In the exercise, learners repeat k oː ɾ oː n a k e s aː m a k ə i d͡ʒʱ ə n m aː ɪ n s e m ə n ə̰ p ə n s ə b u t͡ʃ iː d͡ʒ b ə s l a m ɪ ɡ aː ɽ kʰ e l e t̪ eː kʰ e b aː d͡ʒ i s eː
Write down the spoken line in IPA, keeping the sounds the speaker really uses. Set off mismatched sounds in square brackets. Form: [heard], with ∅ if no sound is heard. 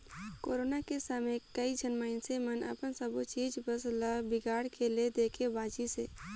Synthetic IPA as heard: k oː ɾ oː n a k e s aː m [e] k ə i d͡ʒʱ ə n m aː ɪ n s e m ə n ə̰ p ə n s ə b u t͡ʃ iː d͡ʒ b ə s l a [b] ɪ ɡ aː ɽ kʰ e l e [d̪] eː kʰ e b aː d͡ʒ i s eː